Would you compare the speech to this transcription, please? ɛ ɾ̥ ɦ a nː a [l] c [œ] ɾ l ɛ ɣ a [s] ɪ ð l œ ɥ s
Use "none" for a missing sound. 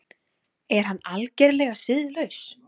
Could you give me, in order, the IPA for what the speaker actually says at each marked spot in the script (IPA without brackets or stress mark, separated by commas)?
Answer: l, ɛ, s